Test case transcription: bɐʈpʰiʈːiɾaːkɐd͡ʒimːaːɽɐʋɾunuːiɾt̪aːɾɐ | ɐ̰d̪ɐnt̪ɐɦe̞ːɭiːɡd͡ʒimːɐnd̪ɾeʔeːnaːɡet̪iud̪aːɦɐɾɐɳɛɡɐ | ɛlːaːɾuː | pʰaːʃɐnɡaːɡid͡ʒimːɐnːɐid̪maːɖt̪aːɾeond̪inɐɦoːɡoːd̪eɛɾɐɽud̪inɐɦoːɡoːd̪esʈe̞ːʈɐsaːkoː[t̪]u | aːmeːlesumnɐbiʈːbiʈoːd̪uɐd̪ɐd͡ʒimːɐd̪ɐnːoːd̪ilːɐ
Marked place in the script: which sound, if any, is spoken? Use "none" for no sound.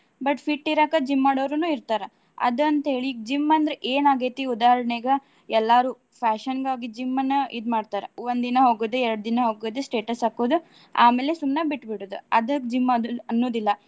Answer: d̪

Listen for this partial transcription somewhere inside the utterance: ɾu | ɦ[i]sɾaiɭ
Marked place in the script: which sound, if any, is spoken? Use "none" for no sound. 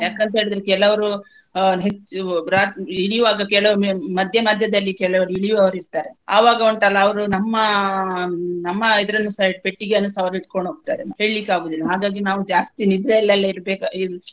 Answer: e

